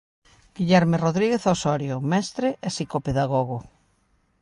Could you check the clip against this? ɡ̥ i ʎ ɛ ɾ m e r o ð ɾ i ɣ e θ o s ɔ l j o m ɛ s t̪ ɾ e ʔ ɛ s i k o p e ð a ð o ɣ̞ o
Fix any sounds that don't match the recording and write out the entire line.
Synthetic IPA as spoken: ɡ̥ i ʎ ɛ ɾ m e r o ð ɾ i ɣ e θ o s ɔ ɾ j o m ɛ s t̪ ɾ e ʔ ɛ s i k o p e ð a ɣ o ɣ̞ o